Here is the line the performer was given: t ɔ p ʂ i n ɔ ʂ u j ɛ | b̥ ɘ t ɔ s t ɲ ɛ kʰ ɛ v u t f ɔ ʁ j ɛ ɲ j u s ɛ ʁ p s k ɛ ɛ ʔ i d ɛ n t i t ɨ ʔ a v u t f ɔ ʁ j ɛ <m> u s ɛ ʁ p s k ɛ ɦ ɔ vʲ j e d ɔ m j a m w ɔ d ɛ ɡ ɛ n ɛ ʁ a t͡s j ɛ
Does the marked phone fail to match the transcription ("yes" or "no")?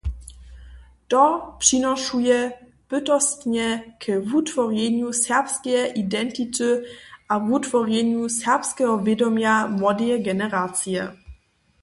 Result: yes